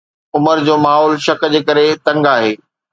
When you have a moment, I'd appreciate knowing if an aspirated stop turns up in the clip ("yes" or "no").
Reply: no